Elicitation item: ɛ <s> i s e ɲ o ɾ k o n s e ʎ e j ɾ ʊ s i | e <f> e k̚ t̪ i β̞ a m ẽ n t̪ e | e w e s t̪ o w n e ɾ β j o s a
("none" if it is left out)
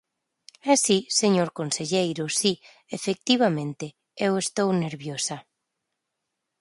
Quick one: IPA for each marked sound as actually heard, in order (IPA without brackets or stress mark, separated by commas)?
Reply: s, f